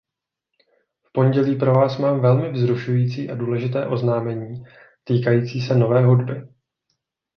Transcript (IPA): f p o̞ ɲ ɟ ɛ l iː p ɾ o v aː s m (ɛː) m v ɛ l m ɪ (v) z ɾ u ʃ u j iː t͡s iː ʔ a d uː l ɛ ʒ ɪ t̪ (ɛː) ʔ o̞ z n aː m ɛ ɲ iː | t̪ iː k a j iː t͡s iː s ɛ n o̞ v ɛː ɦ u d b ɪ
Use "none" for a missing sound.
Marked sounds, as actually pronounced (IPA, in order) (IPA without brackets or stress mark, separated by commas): aː, v, ɛː